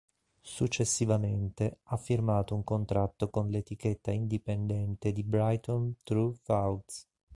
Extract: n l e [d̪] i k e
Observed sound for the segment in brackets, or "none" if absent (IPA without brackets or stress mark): t̪